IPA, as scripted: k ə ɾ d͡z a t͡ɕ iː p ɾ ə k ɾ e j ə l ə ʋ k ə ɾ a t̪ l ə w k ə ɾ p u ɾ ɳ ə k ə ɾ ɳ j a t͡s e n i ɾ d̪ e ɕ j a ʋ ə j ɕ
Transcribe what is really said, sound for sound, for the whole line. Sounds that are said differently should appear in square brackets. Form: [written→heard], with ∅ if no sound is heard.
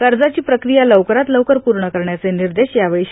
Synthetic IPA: k ə ɾ d͡z a t͡ɕ iː p ɾ ə k ɾ [e→i] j [ə→a] l ə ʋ k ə ɾ a t̪ l ə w k ə ɾ p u ɾ ɳ ə k ə ɾ ɳ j a t͡s e n i ɾ d̪ e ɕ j a ʋ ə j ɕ